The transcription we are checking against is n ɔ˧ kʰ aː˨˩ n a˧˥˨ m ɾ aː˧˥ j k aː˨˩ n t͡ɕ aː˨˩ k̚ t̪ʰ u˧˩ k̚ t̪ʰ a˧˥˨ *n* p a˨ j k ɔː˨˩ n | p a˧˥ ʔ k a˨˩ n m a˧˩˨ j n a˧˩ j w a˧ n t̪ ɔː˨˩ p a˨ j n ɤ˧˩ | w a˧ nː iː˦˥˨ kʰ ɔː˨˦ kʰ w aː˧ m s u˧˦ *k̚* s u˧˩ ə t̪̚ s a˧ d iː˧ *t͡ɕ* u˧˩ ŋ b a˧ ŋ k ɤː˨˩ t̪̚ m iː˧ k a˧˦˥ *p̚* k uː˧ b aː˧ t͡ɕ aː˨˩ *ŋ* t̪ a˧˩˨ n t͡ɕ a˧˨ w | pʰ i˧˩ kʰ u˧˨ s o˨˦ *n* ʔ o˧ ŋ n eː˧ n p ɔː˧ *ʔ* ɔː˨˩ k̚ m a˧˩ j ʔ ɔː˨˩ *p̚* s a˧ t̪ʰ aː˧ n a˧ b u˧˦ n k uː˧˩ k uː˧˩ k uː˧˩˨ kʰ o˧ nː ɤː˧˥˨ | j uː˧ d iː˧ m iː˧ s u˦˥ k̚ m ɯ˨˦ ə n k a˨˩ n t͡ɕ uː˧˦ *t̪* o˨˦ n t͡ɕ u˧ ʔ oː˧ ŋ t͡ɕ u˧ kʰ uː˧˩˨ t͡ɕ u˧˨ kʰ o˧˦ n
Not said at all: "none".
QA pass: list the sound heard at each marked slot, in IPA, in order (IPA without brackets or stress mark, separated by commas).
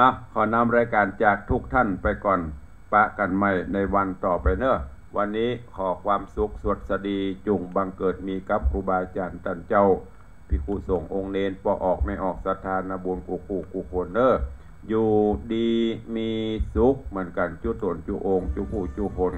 n, k̚, t͡ɕ, p̚, n, ŋ, ʔ, k̚, t̪